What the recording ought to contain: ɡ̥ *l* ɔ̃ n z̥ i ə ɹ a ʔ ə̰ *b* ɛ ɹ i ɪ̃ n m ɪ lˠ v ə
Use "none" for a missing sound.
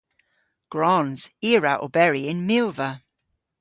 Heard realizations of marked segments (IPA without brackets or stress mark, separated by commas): ɹ, b